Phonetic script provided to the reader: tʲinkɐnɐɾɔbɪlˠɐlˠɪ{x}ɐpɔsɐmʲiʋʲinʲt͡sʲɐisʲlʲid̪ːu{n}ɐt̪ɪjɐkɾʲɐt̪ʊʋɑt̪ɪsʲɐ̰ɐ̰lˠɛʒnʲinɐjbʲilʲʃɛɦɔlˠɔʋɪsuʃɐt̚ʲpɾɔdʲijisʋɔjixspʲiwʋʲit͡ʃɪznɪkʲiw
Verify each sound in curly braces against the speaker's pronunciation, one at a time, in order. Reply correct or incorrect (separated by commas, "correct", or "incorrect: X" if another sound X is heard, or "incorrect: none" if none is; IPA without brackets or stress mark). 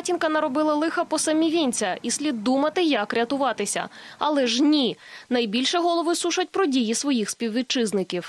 correct, incorrect: m